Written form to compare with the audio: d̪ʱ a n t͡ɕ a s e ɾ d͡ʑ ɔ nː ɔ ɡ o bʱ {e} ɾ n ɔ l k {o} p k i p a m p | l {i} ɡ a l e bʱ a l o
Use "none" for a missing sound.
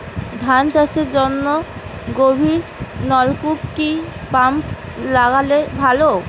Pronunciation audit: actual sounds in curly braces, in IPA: i, u, a

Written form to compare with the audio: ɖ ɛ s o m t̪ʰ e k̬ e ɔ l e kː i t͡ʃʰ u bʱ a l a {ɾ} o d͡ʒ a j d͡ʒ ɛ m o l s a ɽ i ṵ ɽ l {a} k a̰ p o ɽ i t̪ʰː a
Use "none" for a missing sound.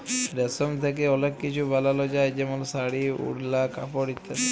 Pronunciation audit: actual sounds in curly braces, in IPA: l, a

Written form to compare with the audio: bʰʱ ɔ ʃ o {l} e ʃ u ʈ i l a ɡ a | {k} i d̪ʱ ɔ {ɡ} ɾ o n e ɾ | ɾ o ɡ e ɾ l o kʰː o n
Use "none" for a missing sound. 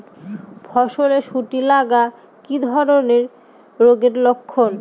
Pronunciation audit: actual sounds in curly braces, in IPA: l, k, none

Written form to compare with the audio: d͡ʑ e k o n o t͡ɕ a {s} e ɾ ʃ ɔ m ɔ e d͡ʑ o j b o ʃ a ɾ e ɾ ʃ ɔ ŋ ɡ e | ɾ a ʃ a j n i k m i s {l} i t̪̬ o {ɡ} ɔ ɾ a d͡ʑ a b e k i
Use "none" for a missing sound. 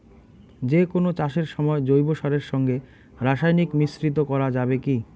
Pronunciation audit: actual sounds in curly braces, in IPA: ʃ, ɾ, k

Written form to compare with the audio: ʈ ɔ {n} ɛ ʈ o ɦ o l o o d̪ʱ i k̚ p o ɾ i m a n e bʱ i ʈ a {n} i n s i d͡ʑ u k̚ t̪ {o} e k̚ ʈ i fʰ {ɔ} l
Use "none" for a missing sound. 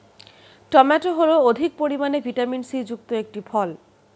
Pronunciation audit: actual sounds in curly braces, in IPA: m, m, o, ɔ

